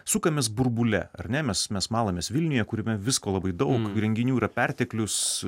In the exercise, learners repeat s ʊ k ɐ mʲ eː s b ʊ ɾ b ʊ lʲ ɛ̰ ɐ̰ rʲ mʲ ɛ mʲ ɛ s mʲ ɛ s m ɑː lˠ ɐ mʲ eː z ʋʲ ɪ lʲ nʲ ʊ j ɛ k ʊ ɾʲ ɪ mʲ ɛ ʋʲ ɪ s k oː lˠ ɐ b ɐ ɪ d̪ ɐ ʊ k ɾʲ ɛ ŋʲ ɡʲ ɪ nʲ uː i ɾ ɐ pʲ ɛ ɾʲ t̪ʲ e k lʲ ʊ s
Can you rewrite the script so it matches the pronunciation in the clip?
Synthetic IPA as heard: s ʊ k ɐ mʲ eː s b ʊ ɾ b ʊ lʲ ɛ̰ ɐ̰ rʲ nʲ ɛ mʲ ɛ s mʲ ɛ s m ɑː lˠ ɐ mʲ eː s ʋʲ ɪ lʲ nʲ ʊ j ɛ k ʊ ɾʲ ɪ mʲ ɛ ʋʲ ɪ s k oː lˠ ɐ b ɐ ɪ d̪ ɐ ʊ k ɾʲ ɛ ŋʲ ɡʲ ɪ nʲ uː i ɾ ɐ pʲ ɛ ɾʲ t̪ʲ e k lʲ ʊ s